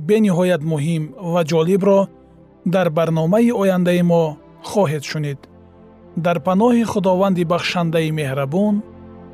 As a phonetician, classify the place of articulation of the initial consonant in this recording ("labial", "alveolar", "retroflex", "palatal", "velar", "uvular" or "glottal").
labial